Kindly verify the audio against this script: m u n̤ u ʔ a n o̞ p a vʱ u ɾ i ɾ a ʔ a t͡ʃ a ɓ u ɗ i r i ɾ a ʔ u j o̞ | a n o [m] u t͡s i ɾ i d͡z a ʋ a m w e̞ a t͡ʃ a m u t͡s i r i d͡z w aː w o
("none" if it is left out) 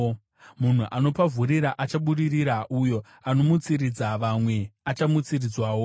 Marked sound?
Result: m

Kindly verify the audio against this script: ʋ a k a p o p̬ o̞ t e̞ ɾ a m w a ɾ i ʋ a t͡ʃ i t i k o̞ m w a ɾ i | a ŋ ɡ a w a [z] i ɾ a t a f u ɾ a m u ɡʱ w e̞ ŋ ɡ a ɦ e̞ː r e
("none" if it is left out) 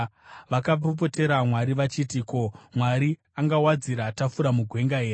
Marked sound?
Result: d͡z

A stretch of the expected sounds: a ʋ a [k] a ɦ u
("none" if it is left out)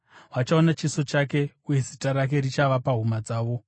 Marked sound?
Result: p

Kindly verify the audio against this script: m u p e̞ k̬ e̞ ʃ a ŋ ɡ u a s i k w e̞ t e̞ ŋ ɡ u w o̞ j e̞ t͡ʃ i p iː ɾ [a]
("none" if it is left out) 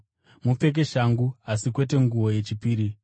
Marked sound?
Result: i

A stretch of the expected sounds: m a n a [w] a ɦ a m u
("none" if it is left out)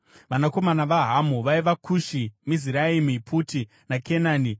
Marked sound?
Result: ʋ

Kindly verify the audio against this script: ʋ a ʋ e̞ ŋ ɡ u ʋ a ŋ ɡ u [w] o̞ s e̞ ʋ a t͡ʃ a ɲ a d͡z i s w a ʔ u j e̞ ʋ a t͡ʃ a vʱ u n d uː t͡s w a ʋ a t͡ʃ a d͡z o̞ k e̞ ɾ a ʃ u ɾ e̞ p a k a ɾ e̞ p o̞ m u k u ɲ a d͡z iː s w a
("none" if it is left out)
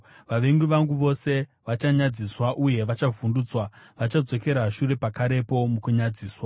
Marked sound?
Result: ʋ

